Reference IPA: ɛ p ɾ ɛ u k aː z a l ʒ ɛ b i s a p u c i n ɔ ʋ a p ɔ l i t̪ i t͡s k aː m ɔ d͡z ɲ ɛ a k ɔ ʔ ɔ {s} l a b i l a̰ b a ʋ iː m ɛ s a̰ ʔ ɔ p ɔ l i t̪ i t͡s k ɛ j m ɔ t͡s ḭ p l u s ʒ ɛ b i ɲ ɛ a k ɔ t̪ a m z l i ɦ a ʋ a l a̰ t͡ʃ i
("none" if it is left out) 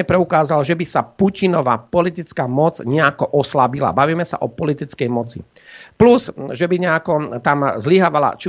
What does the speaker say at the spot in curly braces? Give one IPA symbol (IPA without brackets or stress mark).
s